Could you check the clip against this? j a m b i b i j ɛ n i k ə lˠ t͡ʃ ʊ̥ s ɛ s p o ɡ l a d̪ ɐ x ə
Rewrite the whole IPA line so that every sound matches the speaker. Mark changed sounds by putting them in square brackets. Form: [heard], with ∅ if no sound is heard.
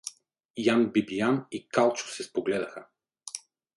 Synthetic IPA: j a [n] b i b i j [a] n i k [a] lˠ t͡ʃ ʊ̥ s ɛ s p o ɡ l [ɛ] d̪ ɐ x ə